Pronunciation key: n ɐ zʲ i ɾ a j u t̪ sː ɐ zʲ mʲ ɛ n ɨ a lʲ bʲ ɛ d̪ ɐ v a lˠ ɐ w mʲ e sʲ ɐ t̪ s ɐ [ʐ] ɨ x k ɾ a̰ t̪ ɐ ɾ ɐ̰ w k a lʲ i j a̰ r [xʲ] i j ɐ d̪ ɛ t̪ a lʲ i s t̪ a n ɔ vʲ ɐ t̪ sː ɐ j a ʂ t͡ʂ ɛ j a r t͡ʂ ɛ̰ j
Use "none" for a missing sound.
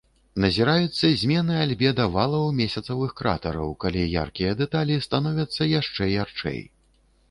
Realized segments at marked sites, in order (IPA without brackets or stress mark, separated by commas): v, kʲ